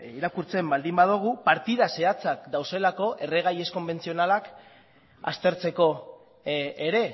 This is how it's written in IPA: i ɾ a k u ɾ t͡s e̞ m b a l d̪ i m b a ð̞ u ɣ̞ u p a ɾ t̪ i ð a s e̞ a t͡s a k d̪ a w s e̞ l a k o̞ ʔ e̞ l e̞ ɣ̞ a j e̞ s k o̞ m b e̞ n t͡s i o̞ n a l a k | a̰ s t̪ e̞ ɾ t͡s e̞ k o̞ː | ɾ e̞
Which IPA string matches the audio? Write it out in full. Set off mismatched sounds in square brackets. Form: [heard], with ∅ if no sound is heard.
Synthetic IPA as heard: i ɾ a k u ɾ t͡s e̞ m b a l d̪ i m b a ð̞ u ɣ̞ u p a ɾ t̪ i ð a s e̞ a t͡s a k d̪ a w s e̞ l a k o̞ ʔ e̞ [r] e̞ ɣ̞ a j e̞ s k o̞ m b e̞ n t͡s i o̞ n a l a k | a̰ s t̪ e̞ ɾ t͡s e̞ k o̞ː | ɾ e̞

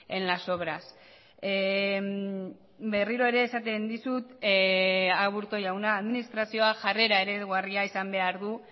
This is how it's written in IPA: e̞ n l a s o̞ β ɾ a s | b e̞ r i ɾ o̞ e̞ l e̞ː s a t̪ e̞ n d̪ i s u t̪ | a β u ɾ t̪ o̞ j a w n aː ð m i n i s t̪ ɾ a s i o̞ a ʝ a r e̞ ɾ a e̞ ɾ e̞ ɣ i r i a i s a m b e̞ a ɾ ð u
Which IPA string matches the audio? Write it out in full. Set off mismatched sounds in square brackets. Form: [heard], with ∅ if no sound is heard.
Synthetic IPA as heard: e̞ n l a s o̞ β ɾ a s | b e̞ r i ɾ o̞ e̞ [ɾ] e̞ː s a t̪ e̞ n d̪ i s u t̪ | a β u ɾ t̪ o̞ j a w n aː ð m i n i s t̪ ɾ a s i o̞ a ʝ a r e̞ ɾ a e̞ ɾ e̞ ɣ [a] r i a i s a m b e̞ a ɾ ð u

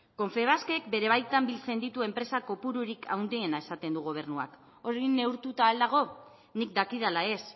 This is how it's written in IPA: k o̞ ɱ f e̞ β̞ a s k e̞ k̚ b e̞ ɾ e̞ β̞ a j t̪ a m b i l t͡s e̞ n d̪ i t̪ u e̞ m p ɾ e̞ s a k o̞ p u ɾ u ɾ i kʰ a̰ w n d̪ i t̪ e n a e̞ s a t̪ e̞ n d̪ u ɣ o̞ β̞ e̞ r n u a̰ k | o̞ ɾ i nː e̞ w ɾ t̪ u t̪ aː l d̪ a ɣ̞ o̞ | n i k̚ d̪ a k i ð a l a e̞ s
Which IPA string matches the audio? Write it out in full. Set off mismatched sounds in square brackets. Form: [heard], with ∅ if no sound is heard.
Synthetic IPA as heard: k o̞ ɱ f e̞ β̞ a s k e̞ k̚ b e̞ ɾ e̞ β̞ a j t̪ a m b i l t͡s e̞ n d̪ i t̪ u e̞ m p ɾ e̞ s a k o̞ p u ɾ u ɾ i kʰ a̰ w n d̪ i [∅] e n a e̞ s a t̪ e̞ n d̪ u ɣ o̞ β̞ e̞ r n u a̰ k | o̞ ɾ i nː e̞ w ɾ t̪ u t̪ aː l d̪ a ɣ̞ o̞ | n i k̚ d̪ a k i ð a l a e̞ s

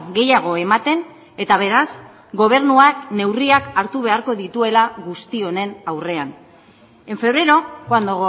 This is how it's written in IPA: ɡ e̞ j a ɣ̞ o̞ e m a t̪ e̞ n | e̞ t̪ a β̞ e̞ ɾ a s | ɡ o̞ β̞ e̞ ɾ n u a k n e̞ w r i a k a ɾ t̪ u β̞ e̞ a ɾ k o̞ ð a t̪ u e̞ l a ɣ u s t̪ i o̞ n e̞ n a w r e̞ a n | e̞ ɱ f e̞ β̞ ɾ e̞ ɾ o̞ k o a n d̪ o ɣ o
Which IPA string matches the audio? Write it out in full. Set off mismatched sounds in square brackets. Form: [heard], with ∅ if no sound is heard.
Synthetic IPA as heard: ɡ e̞ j a ɣ̞ o̞ e m a t̪ e̞ n | e̞ t̪ a β̞ e̞ ɾ a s | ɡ o̞ β̞ e̞ ɾ n u a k n e̞ w r i a k a ɾ t̪ u β̞ e̞ a ɾ k o̞ ð [i] t̪ u e̞ l a ɣ u s t̪ i o̞ n e̞ n a w r e̞ a n | e̞ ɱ f e̞ β̞ ɾ e̞ ɾ o̞ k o a n d̪ o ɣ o

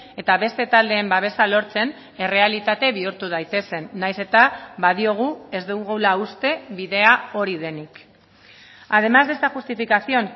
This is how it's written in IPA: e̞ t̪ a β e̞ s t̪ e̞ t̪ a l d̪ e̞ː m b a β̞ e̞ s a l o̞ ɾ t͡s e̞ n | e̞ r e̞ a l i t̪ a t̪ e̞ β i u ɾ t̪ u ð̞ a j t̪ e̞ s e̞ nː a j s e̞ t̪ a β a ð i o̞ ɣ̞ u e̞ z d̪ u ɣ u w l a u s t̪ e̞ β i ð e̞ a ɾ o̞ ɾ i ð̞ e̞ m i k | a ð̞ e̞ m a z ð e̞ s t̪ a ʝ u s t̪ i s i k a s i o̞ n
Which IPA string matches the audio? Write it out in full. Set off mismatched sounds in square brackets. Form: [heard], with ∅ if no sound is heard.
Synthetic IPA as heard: e̞ t̪ a β e̞ s t̪ e̞ t̪ a l d̪ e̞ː m b a β̞ e̞ s a l o̞ ɾ t͡s e̞ n | e̞ r e̞ a l i t̪ a t̪ e̞ β i u ɾ t̪ u ð̞ a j t̪ e̞ s e̞ nː a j s e̞ t̪ a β a ð i o̞ ɣ̞ u e̞ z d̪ u ɣ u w l a u s t̪ e̞ β i ð e̞ a [∅] o̞ ɾ i ð̞ e̞ [n] i k | a ð̞ e̞ m a z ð e̞ s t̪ a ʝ u s t̪ i [f] i k a s i o̞ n

